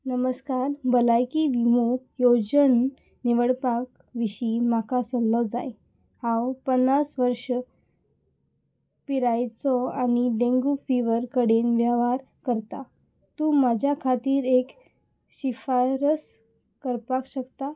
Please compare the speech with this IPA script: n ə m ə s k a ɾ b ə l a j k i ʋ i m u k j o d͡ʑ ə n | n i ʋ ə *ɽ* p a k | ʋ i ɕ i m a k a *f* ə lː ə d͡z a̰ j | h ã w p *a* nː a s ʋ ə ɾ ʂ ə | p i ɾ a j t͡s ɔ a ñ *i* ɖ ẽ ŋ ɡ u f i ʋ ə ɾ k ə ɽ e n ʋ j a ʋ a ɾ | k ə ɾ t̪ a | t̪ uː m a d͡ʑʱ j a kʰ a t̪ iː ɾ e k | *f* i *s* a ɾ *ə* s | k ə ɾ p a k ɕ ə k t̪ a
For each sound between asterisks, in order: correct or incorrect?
correct, incorrect: s, incorrect: ə, correct, incorrect: ɕ, incorrect: f, correct

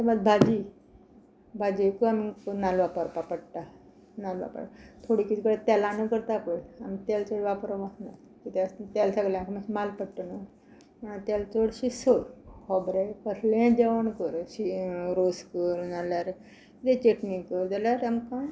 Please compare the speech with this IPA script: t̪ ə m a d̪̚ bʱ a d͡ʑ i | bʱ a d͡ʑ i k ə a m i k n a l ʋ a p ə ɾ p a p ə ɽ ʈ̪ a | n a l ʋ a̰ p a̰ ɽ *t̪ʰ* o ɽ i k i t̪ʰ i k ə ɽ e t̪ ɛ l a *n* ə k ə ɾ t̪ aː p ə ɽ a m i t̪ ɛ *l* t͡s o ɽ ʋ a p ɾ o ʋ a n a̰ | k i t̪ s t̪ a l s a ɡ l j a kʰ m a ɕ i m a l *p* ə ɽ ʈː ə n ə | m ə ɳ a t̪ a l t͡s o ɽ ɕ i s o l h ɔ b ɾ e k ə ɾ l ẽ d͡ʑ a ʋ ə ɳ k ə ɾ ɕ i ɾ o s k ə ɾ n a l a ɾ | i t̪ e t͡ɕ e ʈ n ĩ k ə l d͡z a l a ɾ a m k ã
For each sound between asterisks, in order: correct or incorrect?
correct, correct, correct, correct

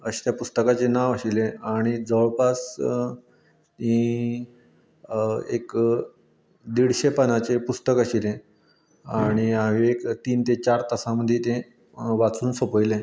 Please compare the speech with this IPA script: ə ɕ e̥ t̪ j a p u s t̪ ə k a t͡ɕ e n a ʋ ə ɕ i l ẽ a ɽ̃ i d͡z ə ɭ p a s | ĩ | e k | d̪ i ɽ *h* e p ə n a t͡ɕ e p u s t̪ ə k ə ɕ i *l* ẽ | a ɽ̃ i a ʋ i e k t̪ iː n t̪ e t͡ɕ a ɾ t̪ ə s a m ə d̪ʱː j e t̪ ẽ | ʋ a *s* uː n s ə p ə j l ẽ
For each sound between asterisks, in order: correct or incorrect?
incorrect: ɕ, correct, incorrect: t͡s

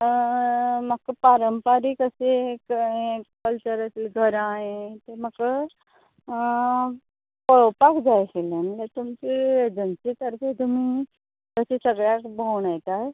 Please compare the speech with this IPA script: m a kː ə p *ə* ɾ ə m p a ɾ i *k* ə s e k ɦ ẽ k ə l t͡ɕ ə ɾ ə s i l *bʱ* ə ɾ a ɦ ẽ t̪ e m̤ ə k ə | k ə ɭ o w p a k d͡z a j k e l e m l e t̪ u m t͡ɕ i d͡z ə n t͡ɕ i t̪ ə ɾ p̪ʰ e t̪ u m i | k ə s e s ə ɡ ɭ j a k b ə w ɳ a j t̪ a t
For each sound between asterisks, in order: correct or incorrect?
incorrect: a, correct, incorrect: ɡʱ

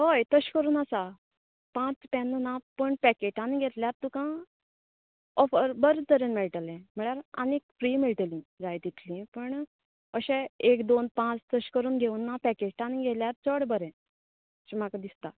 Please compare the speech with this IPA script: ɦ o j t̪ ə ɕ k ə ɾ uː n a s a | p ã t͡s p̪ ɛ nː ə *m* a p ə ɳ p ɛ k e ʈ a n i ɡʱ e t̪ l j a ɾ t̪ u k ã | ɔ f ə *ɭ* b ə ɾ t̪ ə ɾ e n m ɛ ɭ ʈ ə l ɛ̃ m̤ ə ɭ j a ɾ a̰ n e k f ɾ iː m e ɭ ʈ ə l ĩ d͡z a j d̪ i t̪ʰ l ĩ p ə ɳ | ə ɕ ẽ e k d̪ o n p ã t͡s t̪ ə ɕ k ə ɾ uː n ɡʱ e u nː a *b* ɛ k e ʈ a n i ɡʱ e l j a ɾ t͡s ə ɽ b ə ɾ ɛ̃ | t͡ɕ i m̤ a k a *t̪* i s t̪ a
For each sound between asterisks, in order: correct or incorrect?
incorrect: n, incorrect: ɾ, incorrect: p, incorrect: d̪

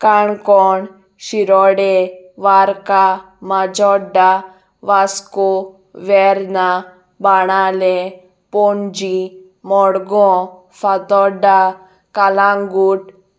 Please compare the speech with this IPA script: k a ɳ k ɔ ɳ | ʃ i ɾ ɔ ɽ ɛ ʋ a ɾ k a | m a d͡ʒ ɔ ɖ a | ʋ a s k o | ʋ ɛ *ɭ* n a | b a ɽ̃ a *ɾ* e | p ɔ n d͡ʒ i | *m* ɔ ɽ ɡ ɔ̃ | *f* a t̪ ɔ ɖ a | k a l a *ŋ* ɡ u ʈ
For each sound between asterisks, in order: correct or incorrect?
incorrect: ɾ, incorrect: l, correct, correct, correct

